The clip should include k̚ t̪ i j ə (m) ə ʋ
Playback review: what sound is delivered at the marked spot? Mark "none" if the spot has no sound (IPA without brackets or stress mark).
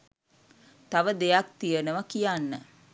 n